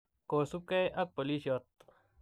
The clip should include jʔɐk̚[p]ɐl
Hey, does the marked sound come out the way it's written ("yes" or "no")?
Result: yes